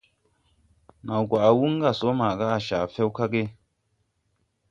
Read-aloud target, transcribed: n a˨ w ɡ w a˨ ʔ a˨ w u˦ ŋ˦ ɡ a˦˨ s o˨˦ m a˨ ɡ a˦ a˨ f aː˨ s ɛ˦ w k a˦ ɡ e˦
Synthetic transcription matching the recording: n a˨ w ɡ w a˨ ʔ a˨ w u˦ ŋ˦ ɡ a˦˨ s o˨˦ m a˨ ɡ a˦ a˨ ʃ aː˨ f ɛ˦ w k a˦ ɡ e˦